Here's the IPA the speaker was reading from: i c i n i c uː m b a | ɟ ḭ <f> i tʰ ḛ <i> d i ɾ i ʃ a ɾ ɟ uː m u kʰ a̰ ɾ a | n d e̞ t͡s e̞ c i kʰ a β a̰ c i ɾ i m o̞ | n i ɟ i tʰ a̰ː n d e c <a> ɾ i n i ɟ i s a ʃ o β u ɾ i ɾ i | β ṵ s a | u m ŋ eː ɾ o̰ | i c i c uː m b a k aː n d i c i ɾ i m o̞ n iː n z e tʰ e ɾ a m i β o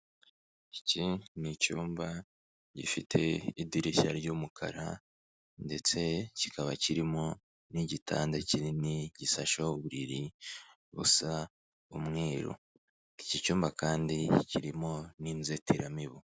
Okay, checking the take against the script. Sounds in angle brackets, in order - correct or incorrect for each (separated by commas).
correct, correct, incorrect